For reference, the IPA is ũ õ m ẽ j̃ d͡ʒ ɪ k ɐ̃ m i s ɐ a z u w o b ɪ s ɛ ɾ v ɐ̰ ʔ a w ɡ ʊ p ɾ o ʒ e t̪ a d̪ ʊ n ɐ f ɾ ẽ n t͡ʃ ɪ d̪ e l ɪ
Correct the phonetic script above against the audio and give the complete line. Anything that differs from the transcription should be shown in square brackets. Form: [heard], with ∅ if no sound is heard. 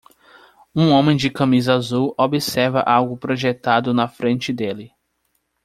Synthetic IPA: ũ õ m ẽ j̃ d͡ʒ ɪ k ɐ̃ m i [z] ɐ a z u w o b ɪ s ɛ ɾ v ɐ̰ ʔ a w ɡ ʊ p ɾ o ʒ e t̪ a d̪ ʊ n ɐ f ɾ ẽ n t͡ʃ ɪ d̪ e l ɪ